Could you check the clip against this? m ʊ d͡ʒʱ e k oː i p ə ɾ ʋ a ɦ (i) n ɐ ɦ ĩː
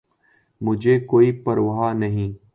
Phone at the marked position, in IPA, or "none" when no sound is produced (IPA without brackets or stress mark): a